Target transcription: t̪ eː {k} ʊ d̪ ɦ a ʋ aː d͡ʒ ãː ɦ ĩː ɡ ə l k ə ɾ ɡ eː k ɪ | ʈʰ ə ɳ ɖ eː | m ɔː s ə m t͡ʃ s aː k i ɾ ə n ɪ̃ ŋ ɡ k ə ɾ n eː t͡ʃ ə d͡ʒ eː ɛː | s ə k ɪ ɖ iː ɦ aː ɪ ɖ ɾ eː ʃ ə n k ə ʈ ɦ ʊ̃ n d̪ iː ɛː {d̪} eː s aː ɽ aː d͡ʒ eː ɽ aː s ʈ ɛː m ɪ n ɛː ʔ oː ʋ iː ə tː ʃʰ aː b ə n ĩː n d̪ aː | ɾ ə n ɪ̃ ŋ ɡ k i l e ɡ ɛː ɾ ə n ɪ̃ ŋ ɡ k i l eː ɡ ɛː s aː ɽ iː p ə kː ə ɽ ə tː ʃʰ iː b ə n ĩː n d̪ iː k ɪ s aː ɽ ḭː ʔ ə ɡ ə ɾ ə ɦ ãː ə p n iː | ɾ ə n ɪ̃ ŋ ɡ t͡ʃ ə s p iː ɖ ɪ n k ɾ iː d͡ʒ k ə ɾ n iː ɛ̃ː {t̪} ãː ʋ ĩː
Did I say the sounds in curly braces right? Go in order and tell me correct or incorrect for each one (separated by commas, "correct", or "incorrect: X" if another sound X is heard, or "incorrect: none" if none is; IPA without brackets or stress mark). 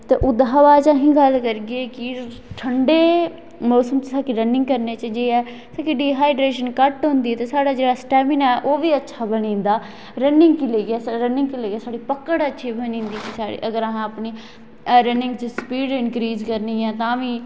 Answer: incorrect: ʔ, incorrect: t̪, correct